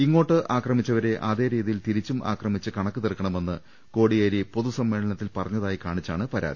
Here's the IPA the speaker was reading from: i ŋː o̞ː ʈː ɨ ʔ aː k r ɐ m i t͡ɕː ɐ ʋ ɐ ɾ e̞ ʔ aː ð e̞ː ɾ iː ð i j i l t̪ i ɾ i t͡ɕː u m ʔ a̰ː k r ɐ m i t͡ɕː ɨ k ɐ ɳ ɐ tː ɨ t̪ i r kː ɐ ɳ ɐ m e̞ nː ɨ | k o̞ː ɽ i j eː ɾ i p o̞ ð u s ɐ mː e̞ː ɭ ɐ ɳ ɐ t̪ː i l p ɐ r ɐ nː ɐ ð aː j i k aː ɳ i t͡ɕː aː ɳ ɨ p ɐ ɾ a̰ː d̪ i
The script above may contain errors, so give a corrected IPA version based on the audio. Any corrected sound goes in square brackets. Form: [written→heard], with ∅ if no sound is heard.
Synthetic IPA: i ŋː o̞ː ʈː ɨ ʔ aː k r ɐ m i t͡ɕː ɐ ʋ ɐ ɾ e̞ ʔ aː ð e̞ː ɾ iː ð i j i l t̪ i ɾ i t͡ɕː u m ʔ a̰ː k r ɐ m i t͡ɕː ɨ k ɐ ɳ ɐ [tː→kː] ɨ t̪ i r kː ɐ ɳ ɐ m e̞ nː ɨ | k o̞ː ɽ i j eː ɾ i p o̞ ð u s ɐ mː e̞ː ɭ ɐ ɳ ɐ t̪ː i l p ɐ r ɐ [nː→ɲː] ɐ ð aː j i k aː ɳ i t͡ɕː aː ɳ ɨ p ɐ ɾ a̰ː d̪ i